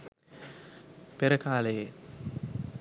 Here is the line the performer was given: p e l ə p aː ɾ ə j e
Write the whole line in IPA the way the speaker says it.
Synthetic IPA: p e ɾ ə k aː l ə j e